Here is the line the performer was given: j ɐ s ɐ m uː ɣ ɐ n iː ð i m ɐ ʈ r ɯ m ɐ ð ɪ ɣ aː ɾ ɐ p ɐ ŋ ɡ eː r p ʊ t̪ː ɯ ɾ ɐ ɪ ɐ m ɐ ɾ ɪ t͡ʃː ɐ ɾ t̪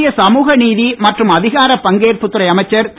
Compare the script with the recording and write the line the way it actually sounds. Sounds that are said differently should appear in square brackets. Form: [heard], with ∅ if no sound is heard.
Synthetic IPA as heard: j ɐ s ɐ m uː ɣ ɐ n iː ð i m ɐ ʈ r ɯ m ɐ ð ɪ ɣ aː ɾ ɐ p ɐ ŋ ɡ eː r p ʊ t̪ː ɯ ɾ ɐ ɪ ɐ m ɐ [∅] ɪ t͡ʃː ɐ ɾ t̪